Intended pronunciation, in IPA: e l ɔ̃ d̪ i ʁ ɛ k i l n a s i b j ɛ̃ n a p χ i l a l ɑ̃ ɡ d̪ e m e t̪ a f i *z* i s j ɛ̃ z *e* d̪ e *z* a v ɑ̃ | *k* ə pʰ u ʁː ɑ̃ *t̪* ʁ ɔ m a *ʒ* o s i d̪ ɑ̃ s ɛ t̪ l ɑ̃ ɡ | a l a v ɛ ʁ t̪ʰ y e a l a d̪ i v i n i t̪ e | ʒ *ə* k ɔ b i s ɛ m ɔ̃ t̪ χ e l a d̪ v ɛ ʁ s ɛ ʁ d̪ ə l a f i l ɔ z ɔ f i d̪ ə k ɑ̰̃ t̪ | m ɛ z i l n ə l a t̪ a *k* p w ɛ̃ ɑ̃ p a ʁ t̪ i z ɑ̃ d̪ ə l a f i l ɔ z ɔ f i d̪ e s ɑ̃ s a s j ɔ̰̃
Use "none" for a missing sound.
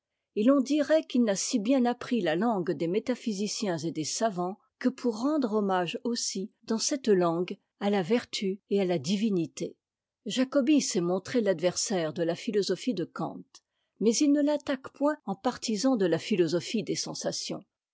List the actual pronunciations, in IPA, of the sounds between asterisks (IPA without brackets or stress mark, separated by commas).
z, e, s, k, d̪, ʒ, a, k